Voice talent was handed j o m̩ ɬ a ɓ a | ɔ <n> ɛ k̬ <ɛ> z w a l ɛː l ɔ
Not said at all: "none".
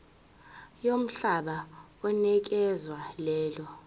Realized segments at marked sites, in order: n, ɛ

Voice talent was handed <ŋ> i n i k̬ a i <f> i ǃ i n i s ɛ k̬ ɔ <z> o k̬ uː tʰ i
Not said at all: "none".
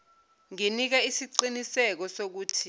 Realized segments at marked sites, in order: ŋ, s, s

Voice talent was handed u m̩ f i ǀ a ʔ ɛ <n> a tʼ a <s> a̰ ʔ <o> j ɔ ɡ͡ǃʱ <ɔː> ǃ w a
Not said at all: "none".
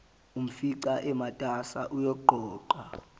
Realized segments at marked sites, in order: m, s, u, ɔː

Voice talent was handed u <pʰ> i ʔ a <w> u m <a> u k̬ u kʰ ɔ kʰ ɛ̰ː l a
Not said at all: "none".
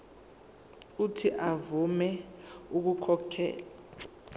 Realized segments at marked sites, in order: tʰ, v, ɛ

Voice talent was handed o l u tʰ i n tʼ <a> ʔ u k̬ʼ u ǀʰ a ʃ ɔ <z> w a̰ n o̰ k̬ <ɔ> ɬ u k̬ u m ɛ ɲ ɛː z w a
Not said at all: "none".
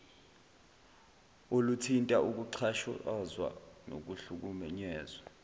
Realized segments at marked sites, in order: a, z, u

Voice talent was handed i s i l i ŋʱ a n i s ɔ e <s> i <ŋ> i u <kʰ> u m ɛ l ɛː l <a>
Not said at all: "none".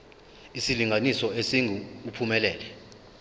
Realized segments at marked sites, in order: s, ŋ, pʰ, ɛ

